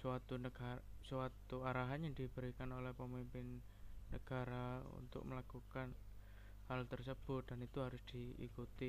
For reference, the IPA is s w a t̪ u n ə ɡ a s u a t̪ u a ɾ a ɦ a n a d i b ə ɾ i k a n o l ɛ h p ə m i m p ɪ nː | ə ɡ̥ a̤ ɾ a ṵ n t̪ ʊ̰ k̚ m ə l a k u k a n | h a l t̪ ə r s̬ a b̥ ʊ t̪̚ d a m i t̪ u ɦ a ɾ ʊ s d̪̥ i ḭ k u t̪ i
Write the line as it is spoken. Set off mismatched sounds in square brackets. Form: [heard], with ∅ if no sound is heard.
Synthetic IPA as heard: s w a t̪ u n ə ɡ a s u a t̪ u a ɾ a ɦ a [ɲ] a d i b ə ɾ i k a n o l ɛ h p ə m i m p ɪ nː | ə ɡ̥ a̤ ɾ a ṵ n t̪ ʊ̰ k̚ m ə l a k u k a n | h a l t̪ ə r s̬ [ə] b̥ ʊ t̪̚ d a [n] i t̪ u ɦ a ɾ ʊ s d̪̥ i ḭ k u t̪ i